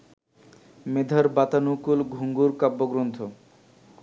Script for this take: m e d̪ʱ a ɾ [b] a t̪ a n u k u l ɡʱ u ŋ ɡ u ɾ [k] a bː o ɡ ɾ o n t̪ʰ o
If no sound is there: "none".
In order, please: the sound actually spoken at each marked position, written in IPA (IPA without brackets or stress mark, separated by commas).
b, k